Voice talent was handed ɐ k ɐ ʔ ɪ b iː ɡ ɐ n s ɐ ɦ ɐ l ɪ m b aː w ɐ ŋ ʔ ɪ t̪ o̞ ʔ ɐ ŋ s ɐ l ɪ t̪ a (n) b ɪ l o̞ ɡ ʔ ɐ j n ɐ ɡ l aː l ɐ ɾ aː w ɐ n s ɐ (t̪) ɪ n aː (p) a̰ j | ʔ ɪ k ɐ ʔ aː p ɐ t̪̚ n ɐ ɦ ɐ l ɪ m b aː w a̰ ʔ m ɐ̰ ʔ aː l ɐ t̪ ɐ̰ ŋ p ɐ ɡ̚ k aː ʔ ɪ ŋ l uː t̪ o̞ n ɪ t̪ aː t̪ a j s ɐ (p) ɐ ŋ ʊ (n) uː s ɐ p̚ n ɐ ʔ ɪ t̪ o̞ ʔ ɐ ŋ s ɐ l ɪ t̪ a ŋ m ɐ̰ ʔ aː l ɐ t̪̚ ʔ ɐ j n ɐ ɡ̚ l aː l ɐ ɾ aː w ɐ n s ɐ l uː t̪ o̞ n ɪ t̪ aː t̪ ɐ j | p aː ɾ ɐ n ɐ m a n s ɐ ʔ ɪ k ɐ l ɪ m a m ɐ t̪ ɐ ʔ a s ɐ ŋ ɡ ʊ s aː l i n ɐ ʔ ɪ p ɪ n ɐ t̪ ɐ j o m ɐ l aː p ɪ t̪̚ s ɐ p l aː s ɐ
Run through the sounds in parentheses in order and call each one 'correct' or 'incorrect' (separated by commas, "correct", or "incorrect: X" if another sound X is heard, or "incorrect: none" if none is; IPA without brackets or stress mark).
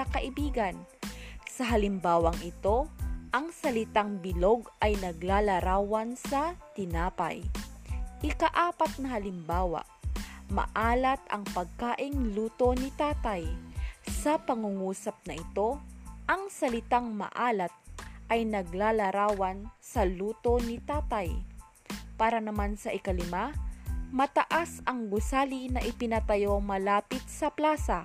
incorrect: ŋ, correct, correct, correct, incorrect: ŋ